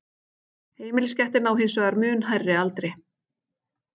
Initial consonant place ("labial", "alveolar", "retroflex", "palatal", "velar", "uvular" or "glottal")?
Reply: glottal